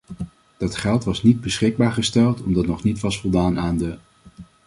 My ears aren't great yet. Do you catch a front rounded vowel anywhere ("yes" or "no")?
no